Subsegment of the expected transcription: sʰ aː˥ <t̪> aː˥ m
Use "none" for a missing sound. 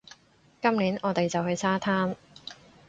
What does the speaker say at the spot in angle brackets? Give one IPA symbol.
t̪ʰ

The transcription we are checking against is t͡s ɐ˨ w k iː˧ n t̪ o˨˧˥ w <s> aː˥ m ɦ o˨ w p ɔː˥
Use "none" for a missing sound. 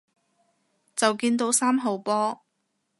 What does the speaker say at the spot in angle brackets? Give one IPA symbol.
s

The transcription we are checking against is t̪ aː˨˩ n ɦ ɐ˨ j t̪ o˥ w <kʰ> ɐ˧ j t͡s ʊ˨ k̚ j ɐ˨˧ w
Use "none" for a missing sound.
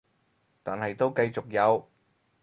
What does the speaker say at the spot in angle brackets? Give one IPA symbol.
k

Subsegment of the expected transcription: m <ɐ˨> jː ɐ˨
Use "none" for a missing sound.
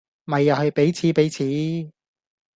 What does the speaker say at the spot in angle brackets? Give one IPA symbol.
ɐ˨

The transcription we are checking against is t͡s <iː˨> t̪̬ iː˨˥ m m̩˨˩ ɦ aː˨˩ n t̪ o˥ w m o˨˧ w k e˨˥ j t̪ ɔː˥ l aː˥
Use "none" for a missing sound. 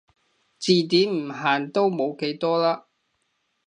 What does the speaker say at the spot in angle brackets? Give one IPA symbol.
iː˨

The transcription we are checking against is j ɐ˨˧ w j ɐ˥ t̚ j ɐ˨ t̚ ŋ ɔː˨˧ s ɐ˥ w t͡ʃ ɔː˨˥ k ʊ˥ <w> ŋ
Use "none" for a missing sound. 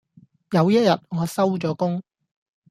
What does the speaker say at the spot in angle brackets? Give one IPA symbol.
none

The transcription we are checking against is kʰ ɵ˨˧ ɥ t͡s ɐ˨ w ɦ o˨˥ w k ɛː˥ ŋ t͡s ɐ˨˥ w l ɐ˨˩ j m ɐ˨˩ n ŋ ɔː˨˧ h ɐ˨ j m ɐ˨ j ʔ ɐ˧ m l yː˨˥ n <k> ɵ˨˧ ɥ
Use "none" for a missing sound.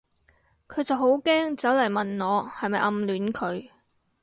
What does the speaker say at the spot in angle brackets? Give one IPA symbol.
kʰ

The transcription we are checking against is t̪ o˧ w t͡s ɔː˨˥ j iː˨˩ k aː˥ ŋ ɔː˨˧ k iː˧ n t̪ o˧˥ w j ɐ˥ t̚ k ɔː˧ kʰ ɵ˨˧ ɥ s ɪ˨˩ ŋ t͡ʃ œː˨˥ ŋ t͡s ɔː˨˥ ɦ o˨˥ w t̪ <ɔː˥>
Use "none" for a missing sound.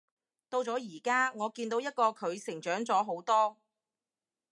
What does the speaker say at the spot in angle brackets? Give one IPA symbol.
ɔː˥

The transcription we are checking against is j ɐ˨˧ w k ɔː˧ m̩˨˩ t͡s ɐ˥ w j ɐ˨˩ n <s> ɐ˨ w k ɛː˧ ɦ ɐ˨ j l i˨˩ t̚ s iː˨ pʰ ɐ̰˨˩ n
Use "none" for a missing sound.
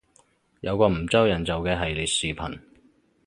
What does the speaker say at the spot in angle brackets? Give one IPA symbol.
t͡s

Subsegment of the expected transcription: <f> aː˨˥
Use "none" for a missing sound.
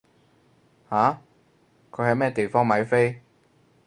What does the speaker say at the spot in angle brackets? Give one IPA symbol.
h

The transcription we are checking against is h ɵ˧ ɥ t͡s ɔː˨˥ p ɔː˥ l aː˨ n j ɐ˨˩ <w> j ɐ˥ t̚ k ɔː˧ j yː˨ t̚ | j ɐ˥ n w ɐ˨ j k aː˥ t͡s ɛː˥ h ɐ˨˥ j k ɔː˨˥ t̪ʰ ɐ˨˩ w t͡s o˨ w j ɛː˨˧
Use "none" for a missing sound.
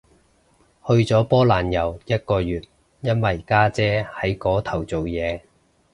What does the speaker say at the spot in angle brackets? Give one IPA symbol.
w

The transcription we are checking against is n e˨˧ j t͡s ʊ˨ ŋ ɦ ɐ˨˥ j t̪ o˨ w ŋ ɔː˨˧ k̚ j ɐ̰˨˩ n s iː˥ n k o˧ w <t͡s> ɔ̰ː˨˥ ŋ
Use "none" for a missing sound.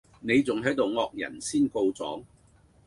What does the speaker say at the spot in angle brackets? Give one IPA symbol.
t͡s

